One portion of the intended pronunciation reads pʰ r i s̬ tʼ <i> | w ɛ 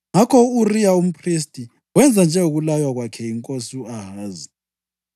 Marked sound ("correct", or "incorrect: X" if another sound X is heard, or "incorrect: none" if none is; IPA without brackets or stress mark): correct